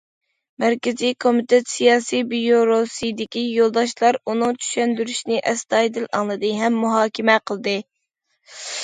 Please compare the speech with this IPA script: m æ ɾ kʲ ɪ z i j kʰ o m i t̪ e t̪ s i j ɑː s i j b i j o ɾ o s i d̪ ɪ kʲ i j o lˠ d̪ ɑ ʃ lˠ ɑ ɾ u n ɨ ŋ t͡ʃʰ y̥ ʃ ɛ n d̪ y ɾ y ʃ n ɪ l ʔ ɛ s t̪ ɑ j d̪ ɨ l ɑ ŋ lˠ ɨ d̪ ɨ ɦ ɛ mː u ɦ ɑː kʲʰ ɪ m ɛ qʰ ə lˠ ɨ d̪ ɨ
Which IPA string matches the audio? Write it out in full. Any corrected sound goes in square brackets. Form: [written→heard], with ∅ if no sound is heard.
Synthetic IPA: m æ ɾ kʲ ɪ z i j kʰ o m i t̪ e t̪ s i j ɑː s i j b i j o ɾ o s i d̪ ɪ kʲ i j o lˠ d̪ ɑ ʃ lˠ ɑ ɾ u n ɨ ŋ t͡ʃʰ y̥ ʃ ɛ n d̪ y ɾ y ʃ n ɪ [l→∅] ʔ ɛ s t̪ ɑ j d̪ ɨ l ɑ ŋ lˠ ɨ d̪ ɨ ɦ ɛ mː u ɦ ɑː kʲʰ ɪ m ɛ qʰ ə lˠ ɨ d̪ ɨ

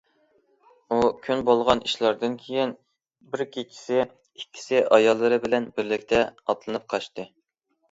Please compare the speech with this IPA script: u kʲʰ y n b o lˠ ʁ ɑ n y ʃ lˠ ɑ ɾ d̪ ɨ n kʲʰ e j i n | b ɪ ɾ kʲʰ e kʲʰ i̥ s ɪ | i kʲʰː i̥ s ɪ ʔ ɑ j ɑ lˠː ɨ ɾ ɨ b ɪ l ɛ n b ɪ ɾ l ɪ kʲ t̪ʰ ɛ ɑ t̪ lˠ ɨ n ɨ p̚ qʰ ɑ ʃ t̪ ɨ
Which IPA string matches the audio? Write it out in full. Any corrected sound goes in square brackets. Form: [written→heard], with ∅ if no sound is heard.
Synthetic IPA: u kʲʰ y n b o lˠ ʁ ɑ n [y→i] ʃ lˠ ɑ ɾ d̪ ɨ n kʲʰ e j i n | b ɪ ɾ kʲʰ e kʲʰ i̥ s ɪ | i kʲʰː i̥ s ɪ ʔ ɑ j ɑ lˠː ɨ ɾ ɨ b ɪ l ɛ n b ɪ ɾ l ɪ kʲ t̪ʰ ɛ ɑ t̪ lˠ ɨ n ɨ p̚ qʰ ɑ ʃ t̪ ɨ

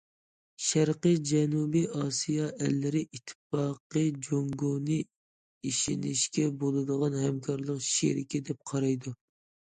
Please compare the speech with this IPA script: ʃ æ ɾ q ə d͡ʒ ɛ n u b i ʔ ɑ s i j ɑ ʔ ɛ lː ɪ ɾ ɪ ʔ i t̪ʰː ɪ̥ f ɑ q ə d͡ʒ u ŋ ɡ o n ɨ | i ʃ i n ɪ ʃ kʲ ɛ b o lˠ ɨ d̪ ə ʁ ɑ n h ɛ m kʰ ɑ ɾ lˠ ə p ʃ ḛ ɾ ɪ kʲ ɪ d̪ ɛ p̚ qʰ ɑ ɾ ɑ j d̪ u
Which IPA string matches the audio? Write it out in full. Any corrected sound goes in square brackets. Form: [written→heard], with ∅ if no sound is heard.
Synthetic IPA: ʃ æ ɾ q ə d͡ʒ ɛ n u b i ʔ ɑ s i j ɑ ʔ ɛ lː ɪ ɾ ɪ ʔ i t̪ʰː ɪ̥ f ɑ q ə d͡ʒ [u→o] ŋ ɡ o n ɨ | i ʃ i n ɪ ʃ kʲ ɛ b o lˠ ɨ d̪ ə ʁ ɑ n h ɛ m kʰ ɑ ɾ lˠ ə [p→q] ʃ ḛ ɾ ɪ kʲ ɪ d̪ ɛ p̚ qʰ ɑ ɾ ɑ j d̪ u

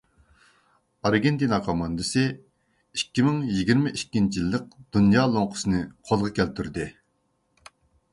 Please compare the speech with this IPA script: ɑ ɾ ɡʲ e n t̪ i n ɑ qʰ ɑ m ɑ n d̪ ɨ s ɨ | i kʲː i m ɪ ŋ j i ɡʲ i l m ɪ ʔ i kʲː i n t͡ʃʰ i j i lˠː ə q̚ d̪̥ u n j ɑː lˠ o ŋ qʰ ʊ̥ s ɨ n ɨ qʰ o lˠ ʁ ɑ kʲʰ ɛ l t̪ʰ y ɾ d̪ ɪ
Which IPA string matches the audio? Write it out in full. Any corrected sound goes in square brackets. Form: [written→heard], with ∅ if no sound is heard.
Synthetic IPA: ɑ ɾ ɡʲ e n t̪ i n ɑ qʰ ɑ m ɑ n d̪ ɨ s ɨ | i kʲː i m ɪ ŋ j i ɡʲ i [l→ɾ] m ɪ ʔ i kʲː i n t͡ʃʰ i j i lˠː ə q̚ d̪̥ u n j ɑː lˠ o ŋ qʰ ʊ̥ s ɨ n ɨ qʰ o lˠ ʁ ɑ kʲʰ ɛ l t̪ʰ y ɾ d̪ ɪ

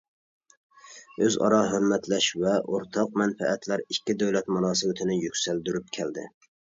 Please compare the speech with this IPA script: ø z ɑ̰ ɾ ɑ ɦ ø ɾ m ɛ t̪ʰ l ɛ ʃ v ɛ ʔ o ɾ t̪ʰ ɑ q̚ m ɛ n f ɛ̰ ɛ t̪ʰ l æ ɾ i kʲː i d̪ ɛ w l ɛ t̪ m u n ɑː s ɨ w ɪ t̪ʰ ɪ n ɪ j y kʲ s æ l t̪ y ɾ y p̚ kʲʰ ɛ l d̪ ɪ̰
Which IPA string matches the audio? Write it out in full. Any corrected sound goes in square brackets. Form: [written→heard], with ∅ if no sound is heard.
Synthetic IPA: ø z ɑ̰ ɾ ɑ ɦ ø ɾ m ɛ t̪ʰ l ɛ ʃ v ɛ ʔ o ɾ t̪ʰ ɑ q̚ m ɛ n f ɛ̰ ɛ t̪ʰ l æ ɾ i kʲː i d̪ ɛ w l ɛ t̪ m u n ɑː s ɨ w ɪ t̪ʰ ɪ n ɪ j y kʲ s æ l [t̪→d̪] y ɾ y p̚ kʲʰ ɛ l d̪ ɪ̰

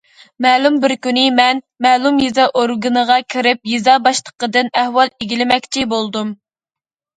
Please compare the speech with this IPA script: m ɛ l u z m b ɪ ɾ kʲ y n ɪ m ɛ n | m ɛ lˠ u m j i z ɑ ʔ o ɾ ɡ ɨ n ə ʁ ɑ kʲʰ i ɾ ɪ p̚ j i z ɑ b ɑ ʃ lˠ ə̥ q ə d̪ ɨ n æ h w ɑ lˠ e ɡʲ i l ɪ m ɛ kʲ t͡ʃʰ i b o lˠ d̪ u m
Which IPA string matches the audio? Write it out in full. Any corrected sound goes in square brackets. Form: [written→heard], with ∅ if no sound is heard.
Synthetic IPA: m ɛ l u [z→∅] m b ɪ ɾ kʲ y n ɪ m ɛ n | m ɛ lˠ u m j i z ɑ ʔ o ɾ ɡ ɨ n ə ʁ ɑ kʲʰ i ɾ ɪ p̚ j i z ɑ b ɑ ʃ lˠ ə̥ q ə d̪ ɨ n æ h w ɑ lˠ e ɡʲ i l ɪ m ɛ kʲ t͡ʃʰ i b o lˠ d̪ u m

